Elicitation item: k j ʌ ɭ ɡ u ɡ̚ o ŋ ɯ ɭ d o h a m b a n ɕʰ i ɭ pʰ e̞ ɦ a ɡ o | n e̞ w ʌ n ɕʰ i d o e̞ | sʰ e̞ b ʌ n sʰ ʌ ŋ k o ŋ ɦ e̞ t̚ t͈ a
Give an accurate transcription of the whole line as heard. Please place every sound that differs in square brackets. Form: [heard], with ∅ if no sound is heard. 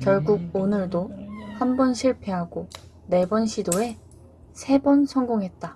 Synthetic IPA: k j ʌ ɭ ɡ u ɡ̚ o [n] ɯ ɭ d o h a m b [ʌ] n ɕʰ i ɭ pʰ e̞ ɦ a ɡ o | n e̞ [b] ʌ n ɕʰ i d o e̞ | sʰ e̞ b ʌ n sʰ ʌ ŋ [ɡ] o ŋ ɦ e̞ t̚ t͈ a